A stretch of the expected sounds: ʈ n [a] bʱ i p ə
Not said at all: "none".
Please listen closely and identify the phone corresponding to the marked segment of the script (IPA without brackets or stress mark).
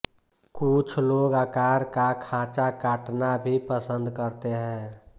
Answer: a